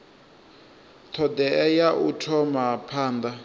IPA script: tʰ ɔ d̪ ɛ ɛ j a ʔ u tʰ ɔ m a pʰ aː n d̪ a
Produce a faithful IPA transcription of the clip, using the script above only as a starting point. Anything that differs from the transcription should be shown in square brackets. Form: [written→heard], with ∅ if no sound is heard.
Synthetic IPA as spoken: tʰ ɔ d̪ ɛ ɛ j a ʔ u tʰ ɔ m a pʰ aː n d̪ a